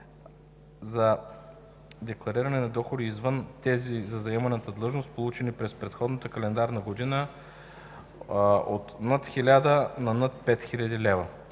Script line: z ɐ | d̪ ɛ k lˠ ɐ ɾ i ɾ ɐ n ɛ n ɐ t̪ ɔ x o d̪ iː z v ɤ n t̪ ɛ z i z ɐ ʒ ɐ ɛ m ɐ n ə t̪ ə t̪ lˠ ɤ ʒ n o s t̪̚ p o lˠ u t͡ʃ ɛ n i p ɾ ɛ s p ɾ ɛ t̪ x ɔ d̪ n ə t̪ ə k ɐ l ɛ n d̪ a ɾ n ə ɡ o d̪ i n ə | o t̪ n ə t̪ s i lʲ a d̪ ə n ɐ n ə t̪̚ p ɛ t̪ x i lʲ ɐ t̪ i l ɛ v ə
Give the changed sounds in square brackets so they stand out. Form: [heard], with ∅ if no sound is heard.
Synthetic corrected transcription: z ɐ | d̪ ɛ k lˠ ɐ ɾ i ɾ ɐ n ɛ n ɐ [d̪] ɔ x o d̪ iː z v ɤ n t̪ ɛ z i z ɐ [z] ɐ ɛ m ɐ n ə t̪ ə [d̪] lˠ ɤ ʒ n o s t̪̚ p o lˠ u t͡ʃ ɛ n i p ɾ ɛ s p ɾ ɛ t̪ x ɔ d̪ n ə t̪ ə k ɐ l ɛ n d̪ a ɾ n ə ɡ o d̪ i n ə | o t̪ n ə t̪ [x] i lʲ a d̪ ə n ɐ n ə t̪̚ p ɛ t̪ x i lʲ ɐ [d̪] i l ɛ v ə

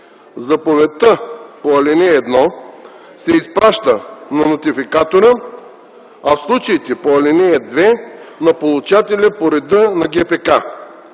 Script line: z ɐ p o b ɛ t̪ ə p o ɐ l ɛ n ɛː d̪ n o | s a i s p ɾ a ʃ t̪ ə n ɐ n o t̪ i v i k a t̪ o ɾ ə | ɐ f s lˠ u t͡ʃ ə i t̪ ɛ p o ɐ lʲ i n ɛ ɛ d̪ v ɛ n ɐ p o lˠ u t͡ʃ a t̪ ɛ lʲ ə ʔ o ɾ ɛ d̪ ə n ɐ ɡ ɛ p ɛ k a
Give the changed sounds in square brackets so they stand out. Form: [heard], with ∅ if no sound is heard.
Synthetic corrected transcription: z ɐ p o [v] ɛ t̪ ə p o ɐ l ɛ n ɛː d̪ n [ɔ] | s [ɛ] i s p ɾ a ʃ t̪ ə n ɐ n o t̪ i [f] i k a t̪ o ɾ ə | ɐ f s lˠ u t͡ʃ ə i t̪ ɛ p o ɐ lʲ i n ɛ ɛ d̪ v ɛ n ɐ p o lˠ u t͡ʃ a t̪ ɛ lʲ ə [p] o ɾ ɛ d̪ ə n ɐ ɡ ɛ p ɛ k a

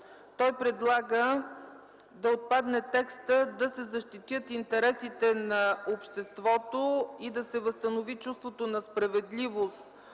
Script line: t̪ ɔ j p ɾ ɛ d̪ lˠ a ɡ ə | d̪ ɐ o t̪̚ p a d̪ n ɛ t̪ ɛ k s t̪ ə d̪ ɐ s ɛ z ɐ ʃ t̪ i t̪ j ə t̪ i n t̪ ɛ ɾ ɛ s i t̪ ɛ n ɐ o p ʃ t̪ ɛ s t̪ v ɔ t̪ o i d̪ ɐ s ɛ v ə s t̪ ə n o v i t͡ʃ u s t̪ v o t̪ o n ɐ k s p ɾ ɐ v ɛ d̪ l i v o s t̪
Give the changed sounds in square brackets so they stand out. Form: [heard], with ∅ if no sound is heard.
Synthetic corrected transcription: t̪ ɔ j p ɾ ɛ d̪ lˠ a ɡ ə | d̪ ɐ o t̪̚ p a d̪ n ɛ t̪ ɛ k s t̪ ə d̪ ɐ s ɛ z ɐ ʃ t̪ i t̪ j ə t̪ i n t̪ ɛ ɾ ɛ s i t̪ ɛ n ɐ o p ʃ t̪ ɛ s t̪ v ɔ t̪ o i d̪ ɐ s ɛ v ə s t̪ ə n o v i t͡ʃ u s t̪ v o t̪ o n ɐ [∅] s p ɾ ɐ v ɛ d̪ l i v o s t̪

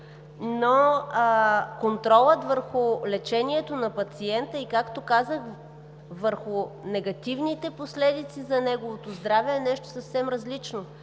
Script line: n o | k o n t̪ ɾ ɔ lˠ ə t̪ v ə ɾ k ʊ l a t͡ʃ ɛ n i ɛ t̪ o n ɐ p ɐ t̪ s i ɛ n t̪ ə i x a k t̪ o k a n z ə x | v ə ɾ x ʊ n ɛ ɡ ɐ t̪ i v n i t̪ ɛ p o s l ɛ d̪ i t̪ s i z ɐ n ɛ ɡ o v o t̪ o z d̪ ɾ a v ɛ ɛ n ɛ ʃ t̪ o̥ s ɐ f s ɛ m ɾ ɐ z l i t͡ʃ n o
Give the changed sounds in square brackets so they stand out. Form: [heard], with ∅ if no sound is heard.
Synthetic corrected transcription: n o | k o n t̪ ɾ ɔ lˠ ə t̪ v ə ɾ [x] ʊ l [ɛ] t͡ʃ ɛ n i ɛ t̪ o n ɐ p ɐ t̪ s i ɛ n t̪ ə i [k] a k t̪ o k a [∅] z ə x | v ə ɾ x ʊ n ɛ ɡ ɐ t̪ i v n i t̪ ɛ p o s l ɛ d̪ i t̪ s i z ɐ n ɛ ɡ o v o t̪ o z d̪ ɾ a v ɛ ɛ n ɛ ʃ t̪ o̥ s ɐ f s ɛ m ɾ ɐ z l i t͡ʃ n o

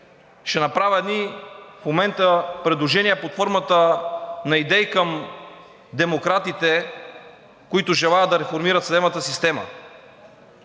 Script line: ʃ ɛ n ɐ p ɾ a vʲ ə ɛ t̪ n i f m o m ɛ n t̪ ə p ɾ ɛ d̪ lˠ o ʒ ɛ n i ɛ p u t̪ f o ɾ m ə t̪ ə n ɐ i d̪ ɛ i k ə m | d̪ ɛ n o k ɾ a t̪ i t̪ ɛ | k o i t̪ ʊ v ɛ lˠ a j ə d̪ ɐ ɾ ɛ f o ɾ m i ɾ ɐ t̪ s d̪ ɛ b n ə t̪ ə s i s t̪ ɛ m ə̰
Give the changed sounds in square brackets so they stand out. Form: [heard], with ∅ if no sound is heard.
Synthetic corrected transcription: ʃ ɛ n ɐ p ɾ a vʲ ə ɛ [d̪] n i f m o m ɛ n t̪ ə p ɾ ɛ d̪ lˠ o ʒ ɛ n i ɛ p [o] t̪ f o ɾ m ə t̪ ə n ɐ i d̪ ɛ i k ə m | d̪ ɛ [m] o k ɾ a t̪ i t̪ ɛ | k o i t̪ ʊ [ʒ] ɛ lˠ a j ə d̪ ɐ ɾ ɛ f o ɾ m i ɾ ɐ t̪ s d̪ ɛ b n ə t̪ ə s i s t̪ ɛ m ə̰

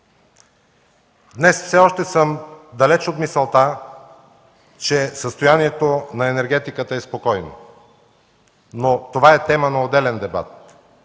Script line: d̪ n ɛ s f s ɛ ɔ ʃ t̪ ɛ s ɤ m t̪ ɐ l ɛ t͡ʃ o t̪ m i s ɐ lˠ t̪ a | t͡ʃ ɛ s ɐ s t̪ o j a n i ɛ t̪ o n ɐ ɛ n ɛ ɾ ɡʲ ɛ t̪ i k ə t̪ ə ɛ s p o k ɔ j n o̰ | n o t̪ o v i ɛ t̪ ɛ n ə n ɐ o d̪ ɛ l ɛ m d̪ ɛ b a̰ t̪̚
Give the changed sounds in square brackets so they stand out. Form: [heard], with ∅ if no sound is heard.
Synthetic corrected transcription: d̪ n ɛ s f s ɛ ɔ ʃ t̪ ɛ s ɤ m [d̪] ɐ l ɛ t͡ʃ o t̪ m i s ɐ lˠ t̪ a | t͡ʃ ɛ s [ə] s t̪ o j a n i ɛ t̪ o n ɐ ɛ n ɛ ɾ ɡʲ ɛ t̪ i k ə t̪ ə ɛ s p o k ɔ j n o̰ | n o t̪ o v [a] ɛ t̪ ɛ [m] ə n ɐ o d̪ ɛ l ɛ [n] d̪ ɛ b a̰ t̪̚

